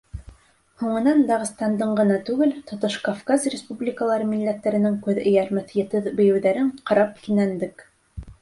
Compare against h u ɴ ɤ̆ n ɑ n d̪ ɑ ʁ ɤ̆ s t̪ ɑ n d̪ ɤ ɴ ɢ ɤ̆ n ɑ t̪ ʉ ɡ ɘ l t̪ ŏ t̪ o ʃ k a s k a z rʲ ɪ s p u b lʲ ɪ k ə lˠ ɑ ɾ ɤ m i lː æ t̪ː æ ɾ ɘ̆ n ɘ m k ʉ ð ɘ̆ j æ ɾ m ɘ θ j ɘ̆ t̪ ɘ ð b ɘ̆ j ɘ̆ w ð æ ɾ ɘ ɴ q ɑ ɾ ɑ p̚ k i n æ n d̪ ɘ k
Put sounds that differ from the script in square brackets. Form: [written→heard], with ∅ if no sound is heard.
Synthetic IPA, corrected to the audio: h u ɴ ɤ̆ n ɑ n d̪ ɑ ʁ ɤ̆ s t̪ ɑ n d̪ ɤ ɴ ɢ ɤ̆ n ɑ t̪ ʉ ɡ ɘ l t̪ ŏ t̪ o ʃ k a [s→f] k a z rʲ ɪ s p u b lʲ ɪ k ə lˠ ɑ ɾ ɤ m i lː æ t̪ː æ ɾ ɘ̆ n ɘ [m→ŋ] k ʉ ð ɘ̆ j æ ɾ m ɘ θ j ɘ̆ t̪ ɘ ð b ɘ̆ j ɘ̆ w ð æ ɾ ɘ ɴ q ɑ ɾ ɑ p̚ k i n æ n d̪ ɘ k